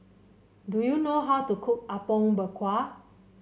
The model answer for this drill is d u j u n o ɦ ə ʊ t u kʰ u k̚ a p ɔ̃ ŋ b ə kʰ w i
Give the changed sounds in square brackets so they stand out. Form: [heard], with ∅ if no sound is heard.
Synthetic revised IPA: d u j u n o ɦ [a] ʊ t u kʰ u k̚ a p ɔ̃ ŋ b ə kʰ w [a]